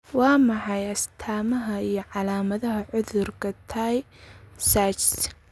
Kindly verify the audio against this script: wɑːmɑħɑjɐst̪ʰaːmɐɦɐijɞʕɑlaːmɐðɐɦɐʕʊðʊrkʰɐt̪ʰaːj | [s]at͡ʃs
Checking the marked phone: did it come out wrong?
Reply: no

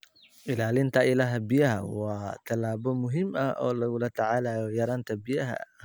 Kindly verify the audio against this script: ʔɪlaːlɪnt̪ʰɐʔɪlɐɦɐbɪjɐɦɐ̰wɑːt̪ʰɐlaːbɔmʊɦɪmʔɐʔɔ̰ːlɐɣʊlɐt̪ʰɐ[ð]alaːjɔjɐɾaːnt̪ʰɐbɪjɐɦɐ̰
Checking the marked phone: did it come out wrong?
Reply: yes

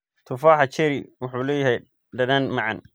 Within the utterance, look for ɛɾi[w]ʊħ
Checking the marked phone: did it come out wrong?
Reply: no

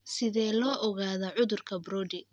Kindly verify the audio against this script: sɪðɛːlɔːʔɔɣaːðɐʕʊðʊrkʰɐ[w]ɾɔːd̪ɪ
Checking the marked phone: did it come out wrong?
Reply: yes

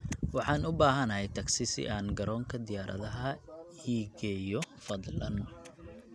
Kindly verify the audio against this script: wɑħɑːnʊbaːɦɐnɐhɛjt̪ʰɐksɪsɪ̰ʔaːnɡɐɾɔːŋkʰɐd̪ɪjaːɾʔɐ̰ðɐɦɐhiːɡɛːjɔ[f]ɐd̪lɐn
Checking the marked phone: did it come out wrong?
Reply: no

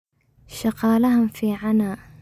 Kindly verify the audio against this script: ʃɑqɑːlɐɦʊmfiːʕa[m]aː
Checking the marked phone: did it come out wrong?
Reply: yes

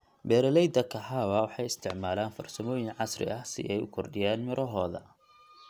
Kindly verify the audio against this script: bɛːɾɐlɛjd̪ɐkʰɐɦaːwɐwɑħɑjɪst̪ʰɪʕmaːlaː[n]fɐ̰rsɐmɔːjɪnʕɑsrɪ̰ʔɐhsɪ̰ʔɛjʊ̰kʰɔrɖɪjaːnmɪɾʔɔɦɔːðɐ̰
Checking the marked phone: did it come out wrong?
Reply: no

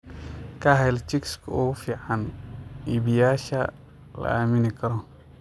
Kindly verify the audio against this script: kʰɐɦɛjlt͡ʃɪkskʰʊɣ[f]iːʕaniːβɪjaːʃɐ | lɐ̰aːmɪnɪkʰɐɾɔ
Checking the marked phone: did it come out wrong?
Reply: no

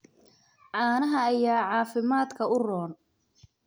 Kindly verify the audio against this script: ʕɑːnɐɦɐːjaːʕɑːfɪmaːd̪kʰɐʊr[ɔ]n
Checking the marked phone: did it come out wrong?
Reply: yes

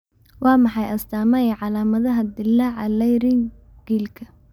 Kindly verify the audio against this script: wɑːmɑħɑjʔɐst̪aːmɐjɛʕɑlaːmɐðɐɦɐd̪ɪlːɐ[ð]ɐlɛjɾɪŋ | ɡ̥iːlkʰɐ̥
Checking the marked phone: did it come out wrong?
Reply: yes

